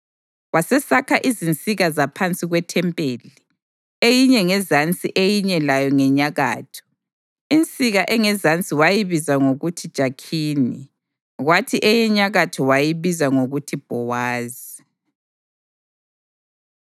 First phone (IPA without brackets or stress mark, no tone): w